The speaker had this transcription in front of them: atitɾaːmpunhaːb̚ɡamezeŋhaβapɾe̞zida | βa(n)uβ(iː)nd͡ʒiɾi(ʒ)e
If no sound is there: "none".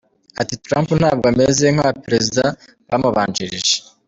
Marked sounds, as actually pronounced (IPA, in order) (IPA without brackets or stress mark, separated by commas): m, aː, ʒ